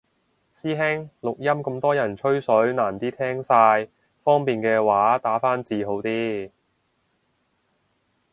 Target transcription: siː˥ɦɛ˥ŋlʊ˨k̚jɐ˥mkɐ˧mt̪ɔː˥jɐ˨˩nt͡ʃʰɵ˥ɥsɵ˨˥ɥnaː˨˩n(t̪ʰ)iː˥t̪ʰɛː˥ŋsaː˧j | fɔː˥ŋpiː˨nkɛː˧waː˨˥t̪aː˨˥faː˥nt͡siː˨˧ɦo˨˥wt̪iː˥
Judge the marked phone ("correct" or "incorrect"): incorrect